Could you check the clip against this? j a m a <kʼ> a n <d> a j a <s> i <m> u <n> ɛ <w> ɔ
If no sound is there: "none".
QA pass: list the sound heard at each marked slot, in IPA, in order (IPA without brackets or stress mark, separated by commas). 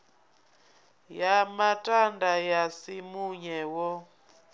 tʼ, d, s, m, ɲ, w